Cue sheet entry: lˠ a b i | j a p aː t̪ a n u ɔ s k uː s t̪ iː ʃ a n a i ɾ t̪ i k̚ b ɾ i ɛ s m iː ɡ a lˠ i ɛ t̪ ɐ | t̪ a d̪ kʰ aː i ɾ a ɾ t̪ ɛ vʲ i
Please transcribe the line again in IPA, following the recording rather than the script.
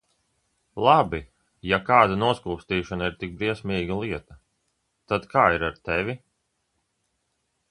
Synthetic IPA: lˠ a b i | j a k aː d̪ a n u ɔ s k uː s t̪ iː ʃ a n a i ɾ t̪ i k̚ b ɾ i ɛ s m iː ɡ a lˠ i ɛ t̪ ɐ | t̪ a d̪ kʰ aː i ɾ a ɾ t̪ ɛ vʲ i